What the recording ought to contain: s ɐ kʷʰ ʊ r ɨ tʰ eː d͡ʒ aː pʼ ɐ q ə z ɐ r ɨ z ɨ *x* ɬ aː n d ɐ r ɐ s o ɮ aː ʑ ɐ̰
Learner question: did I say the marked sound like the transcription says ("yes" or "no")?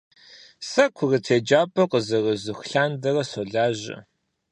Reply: yes